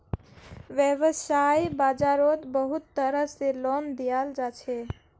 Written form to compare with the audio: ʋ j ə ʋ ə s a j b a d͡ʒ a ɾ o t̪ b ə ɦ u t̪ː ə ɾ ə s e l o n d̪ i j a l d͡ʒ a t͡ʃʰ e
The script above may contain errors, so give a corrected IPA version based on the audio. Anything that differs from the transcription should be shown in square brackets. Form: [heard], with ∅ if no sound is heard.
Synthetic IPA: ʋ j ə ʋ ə s a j b a d͡ʒ a ɾ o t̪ b ə ɦ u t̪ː ə ɾ ə s e l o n d̪ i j a l d͡ʒ a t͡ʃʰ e